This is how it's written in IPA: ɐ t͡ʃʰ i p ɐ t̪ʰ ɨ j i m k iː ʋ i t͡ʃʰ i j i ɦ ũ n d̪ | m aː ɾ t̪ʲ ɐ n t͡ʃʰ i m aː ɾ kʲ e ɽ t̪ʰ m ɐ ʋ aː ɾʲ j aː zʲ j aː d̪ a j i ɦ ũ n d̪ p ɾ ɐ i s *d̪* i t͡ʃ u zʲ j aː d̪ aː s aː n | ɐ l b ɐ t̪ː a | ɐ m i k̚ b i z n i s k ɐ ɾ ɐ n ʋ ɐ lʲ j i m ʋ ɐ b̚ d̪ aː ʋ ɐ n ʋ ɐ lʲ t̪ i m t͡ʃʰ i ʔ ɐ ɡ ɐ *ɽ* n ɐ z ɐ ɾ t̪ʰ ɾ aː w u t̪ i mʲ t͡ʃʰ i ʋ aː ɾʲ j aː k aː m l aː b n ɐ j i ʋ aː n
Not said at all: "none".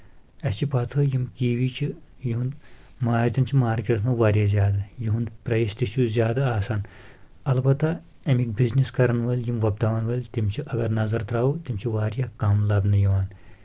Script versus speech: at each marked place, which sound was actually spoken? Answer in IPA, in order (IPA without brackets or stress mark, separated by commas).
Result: t̪, ɾ